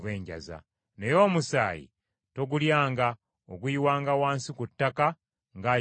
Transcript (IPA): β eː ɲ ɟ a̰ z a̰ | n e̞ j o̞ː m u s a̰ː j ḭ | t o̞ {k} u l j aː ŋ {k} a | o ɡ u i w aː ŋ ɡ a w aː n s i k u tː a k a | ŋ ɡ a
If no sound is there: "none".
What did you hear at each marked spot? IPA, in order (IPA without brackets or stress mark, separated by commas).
ɡ, ɡ